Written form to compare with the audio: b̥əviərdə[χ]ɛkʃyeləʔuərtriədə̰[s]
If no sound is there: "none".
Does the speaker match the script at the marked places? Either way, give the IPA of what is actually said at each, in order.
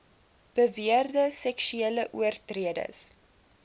s, s

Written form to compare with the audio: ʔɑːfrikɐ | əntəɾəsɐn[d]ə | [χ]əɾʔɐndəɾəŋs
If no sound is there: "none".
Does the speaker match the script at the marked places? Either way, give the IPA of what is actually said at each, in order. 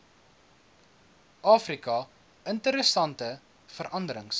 t, f

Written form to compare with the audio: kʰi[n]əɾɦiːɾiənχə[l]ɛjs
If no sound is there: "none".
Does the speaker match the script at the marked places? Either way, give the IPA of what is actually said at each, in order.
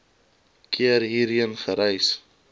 none, ɾ

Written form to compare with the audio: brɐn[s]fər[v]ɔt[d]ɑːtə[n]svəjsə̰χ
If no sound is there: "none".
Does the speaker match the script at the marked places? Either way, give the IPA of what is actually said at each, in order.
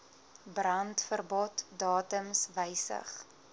t, b, d, m

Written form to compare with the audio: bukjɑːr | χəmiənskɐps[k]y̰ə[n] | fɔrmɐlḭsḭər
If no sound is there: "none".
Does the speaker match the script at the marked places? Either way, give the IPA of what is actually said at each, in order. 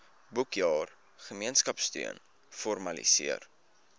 t, n

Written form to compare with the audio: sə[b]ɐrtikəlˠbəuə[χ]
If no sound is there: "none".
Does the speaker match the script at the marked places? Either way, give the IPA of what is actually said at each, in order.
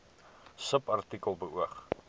p, χ

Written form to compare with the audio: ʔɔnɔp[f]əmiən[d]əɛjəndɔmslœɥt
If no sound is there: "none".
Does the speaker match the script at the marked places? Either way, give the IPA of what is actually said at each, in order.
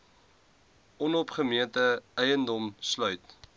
χ, t

